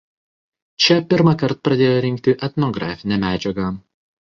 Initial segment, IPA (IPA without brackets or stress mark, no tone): t͡ʃʲ